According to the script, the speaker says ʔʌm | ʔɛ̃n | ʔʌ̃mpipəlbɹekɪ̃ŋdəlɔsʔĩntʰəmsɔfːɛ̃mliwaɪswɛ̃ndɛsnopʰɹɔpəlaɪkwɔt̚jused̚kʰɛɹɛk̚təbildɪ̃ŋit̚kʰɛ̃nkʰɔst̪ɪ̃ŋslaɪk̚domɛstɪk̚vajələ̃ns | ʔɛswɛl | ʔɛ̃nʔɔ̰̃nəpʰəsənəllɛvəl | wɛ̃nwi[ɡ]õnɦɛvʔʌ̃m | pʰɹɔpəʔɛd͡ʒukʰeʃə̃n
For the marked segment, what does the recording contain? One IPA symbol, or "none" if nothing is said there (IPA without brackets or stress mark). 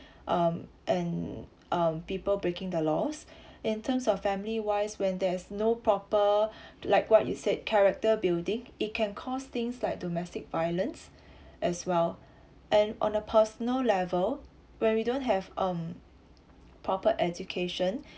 d